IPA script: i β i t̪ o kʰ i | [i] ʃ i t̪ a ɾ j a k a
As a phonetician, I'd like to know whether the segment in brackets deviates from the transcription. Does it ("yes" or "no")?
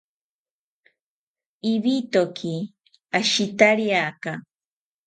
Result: yes